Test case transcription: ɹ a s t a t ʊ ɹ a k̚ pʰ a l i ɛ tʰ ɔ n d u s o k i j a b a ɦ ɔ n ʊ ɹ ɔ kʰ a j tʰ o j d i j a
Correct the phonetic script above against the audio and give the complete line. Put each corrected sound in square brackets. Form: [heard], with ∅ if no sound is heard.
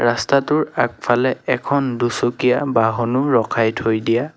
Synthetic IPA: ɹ a s t a t ʊ ɹ a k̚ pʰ a l [ɛ] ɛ [kʰ] ɔ n d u s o k i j a b a ɦ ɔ n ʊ ɹ ɔ kʰ a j tʰ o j d i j a